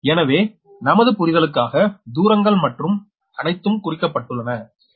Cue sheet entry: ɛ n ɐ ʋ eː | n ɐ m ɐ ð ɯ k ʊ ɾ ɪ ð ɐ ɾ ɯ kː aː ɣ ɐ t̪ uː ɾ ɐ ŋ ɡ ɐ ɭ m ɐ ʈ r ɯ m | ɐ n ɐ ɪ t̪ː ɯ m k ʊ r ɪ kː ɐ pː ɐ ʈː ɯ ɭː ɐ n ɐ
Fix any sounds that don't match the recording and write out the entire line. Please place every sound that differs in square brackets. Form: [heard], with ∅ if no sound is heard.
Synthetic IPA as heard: ɛ n ɐ ʋ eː | n ɐ m ɐ ð ɯ [p] ʊ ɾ ɪ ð ɐ [ɭ] ɯ kː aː ɣ ɐ [d̪] uː ɾ ɐ ŋ ɡ ɐ ɭ m ɐ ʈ r ɯ m | ɐ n ɐ ɪ t̪ː ɯ m k ʊ r ɪ kː ɐ pː ɐ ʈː ɯ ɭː ɐ n ɐ